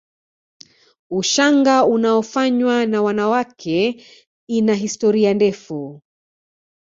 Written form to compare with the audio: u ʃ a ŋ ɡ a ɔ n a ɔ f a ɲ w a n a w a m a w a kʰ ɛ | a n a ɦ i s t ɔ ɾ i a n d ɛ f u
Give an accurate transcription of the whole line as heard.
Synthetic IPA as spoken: u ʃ a ŋ ɡ a u n a ɔ f a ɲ w a n a w a n a w a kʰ ɛ | i n a ɦ i s t ɔ ɾ i a n d ɛ f u